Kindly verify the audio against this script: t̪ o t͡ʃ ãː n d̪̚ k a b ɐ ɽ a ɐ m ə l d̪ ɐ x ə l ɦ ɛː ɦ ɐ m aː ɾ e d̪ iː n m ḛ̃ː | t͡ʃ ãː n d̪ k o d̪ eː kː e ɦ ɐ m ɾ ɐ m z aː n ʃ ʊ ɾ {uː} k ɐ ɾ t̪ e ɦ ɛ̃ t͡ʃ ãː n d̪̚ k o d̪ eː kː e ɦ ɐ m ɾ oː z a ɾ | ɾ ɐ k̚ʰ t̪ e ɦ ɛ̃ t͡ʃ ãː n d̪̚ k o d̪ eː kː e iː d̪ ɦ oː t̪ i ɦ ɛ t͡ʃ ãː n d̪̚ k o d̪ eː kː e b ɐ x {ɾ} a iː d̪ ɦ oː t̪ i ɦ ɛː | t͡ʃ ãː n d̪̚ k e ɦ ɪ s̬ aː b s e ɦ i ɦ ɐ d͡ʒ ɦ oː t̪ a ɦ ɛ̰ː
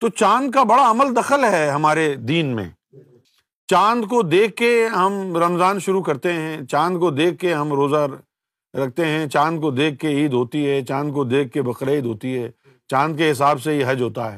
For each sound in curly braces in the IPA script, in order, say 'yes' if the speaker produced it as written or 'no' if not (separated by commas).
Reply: no, yes